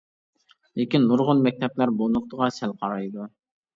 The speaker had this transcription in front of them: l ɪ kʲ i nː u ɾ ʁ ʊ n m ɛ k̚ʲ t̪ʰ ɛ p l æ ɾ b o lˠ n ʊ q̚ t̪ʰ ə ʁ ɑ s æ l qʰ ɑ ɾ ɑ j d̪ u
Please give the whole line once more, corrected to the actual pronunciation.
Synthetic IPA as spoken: l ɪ kʲ i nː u ɾ ʁ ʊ n m ɛ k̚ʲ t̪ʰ ɛ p l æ ɾ b o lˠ n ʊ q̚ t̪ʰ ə ʁ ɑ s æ l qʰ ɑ ɾ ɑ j d̪ u